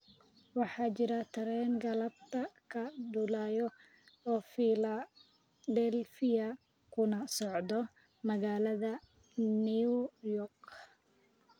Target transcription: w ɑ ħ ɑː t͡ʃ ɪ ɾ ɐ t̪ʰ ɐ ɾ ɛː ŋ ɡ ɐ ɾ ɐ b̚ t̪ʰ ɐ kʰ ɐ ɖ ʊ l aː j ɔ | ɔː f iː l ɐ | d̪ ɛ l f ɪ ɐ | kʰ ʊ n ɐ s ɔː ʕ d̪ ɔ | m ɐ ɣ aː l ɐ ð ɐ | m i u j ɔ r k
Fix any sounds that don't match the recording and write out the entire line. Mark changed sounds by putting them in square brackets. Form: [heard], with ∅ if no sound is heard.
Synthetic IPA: w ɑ ħ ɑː t͡ʃ ɪ ɾ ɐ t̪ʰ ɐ ɾ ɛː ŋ ɡ ɐ [l] ɐ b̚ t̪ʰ ɐ kʰ ɐ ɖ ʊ l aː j ɔ | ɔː f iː l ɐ | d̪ ɛ l f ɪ ɐ | kʰ ʊ n ɐ s [ɔ] ʕ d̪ ɔ | m ɐ ɣ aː l ɐ ð ɐ | [n] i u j ɔ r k